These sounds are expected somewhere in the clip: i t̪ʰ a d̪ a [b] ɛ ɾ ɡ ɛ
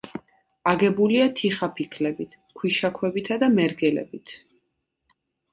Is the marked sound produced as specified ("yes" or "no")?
no